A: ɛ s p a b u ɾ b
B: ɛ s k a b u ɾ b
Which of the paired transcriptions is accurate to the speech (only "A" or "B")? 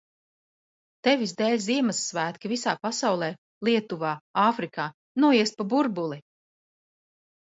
A